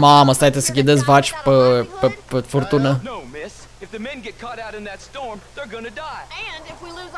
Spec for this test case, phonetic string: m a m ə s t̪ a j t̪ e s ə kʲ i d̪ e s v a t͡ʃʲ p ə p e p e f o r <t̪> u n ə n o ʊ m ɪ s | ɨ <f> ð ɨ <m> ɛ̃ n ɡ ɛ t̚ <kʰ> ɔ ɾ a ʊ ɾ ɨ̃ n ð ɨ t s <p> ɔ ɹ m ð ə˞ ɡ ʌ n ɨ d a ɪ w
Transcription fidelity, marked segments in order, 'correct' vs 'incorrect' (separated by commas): correct, correct, correct, correct, incorrect